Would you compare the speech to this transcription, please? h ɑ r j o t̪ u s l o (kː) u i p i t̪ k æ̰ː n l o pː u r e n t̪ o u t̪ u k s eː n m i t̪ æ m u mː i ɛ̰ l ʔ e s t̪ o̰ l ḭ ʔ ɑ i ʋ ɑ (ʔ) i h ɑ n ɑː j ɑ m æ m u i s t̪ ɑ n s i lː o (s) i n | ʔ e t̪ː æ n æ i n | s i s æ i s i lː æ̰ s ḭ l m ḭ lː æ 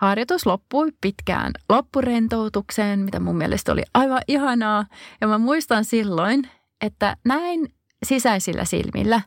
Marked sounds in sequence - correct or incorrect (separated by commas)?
incorrect, correct, incorrect